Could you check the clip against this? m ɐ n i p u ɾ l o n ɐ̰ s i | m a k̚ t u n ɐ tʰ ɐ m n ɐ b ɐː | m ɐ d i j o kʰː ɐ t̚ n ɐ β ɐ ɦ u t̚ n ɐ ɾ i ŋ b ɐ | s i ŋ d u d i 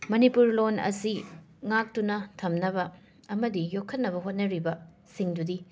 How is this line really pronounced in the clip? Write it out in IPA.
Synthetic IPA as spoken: m ɐ n i p u ɾ l o n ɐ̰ s i | ŋ a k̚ t u n ɐ tʰ ɐ m n ɐ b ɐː | m ɐ d i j o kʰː ɐ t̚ n ɐ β ɐ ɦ o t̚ n ɐ ɾ i b ɐ | s i ŋ d u d i

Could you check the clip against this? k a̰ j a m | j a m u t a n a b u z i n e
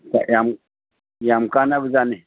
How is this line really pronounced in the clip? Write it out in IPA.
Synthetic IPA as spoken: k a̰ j a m | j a m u k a n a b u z a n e

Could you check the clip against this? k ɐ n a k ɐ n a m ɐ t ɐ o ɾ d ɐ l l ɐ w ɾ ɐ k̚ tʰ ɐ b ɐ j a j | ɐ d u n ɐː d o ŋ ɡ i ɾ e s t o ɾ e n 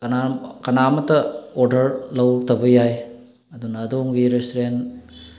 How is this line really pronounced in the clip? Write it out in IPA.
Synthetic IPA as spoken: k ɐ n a k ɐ n a m ɐ t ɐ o ɾ d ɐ ɾ l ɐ w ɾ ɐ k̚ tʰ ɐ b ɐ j a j | ɐ d u n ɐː d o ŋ ɡ i ɾ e s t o ɾ e n

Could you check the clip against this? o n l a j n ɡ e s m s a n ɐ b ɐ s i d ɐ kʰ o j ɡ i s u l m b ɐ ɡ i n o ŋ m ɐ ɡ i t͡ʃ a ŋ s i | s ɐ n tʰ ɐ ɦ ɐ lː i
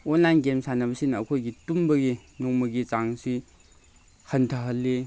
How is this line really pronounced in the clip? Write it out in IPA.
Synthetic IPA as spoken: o n l a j n ɡ e m s a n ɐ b ɐ s i n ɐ kʰ o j ɡ i t u m b ɐ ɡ i n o ŋ m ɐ ɡ i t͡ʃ a ŋ s i | h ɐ n tʰ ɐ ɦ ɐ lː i

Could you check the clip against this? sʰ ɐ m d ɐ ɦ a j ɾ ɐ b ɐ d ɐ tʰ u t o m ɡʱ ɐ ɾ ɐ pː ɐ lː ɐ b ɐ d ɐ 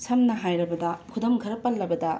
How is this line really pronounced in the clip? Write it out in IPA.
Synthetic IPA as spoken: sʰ ɐ m n ɐ ɦ a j ɾ ɐ b ɐ d ɐ kʰ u d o m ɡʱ ɐ ɾ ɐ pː ɐ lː ɐ b ɐ d ɐ

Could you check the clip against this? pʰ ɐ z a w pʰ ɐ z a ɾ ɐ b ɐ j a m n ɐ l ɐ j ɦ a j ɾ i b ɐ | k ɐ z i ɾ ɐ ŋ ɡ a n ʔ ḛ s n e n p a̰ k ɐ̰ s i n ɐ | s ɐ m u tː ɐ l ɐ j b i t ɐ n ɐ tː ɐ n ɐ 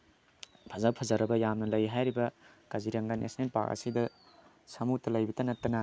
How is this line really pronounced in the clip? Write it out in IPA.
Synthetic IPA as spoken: pʰ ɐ z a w pʰ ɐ z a ɾ ɐ b ɐ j a m n ɐ l ɐ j ɦ a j ɾ i b ɐ | k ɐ z i ɾ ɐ ŋ ɡ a n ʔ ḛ s n e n p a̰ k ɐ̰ s i d ɐ | s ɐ m u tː ɐ l ɐ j b i t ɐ n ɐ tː ɐ n ɐ

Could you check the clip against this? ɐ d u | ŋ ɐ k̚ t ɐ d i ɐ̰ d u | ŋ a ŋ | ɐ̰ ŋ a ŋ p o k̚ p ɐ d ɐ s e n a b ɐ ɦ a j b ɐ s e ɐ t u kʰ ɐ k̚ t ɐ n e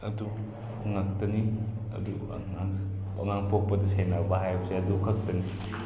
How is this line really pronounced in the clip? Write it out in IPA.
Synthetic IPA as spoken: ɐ d u | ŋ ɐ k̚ t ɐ n i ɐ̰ d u | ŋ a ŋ | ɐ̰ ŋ a ŋ p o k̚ p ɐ d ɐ s e n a b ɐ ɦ a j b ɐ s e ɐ d u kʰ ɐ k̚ t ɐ n i

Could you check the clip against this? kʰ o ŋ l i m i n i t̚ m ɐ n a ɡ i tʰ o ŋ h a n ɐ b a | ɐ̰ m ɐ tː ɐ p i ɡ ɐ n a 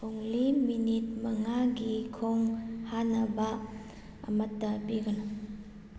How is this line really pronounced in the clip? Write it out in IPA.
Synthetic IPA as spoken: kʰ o ŋ l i m i n i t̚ m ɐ ŋ a ɡ i kʰ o ŋ h a n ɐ b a | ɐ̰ m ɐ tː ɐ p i ɡ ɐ n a

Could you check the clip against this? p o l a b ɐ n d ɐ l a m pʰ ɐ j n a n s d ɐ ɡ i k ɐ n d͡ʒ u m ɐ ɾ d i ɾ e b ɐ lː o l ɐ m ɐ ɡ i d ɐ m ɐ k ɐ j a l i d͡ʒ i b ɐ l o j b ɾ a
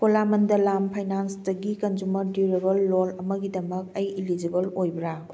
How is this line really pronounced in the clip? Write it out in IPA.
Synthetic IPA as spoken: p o l a m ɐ n d ɐ l a m pʰ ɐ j n a n s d ɐ ɡ i k ɐ n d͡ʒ u m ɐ ɾ d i ɾ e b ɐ lː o l ɐ m ɐ ɡ i d ɐ m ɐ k ɐ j i l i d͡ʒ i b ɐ l o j b ɾ a

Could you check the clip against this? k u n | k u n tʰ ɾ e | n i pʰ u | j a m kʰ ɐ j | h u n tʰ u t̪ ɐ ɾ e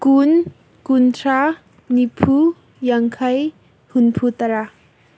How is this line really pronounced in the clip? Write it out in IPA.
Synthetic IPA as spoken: k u n | k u n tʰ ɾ a | n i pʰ u | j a ŋ kʰ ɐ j | h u n pʰ u t̪ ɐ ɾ a

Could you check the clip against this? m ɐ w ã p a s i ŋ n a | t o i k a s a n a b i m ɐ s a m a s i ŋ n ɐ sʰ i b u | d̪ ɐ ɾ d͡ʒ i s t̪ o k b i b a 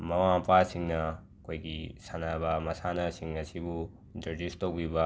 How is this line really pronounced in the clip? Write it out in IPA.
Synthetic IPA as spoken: m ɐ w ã p a s i ŋ n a | k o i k i s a n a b a m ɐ s a n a s i ŋ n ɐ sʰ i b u | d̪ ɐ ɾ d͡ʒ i s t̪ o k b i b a

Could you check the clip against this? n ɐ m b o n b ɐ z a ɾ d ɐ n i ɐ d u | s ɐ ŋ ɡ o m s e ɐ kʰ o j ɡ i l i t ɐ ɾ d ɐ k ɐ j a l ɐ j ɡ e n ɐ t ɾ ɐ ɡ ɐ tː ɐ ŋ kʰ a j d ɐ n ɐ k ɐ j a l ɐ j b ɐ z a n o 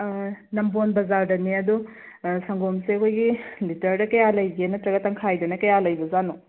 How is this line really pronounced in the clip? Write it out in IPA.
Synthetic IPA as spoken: n ɐ m b o n b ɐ z a ɾ d ɐ n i ɐ d u | s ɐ ŋ ɡ o m s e ɐ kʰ o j ɡ i l i t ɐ ɾ d ɐ k ɐ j a l ɐ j ɡ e n ɐ t ɾ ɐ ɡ ɐ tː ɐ ŋ kʰ a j d ɐ n ɐ k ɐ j a l ɐ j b ɐ z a n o

